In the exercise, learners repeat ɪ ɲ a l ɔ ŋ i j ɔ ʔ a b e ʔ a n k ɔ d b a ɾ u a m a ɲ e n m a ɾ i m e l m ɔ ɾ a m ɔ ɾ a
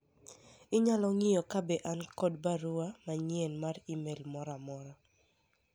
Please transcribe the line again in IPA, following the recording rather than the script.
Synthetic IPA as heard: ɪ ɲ a l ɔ ŋ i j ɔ k a b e ʔ a n k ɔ d b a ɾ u a m a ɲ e n m a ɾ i m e l m ɔ ɾ a m ɔ ɾ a